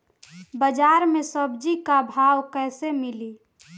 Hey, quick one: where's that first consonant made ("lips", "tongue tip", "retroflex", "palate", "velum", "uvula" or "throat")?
lips